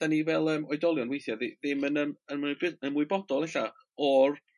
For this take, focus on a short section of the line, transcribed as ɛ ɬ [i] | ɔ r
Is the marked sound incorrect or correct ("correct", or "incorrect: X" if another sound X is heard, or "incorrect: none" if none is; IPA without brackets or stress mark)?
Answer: incorrect: a